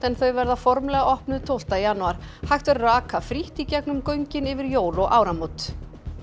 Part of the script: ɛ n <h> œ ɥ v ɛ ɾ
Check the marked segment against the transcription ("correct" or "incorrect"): incorrect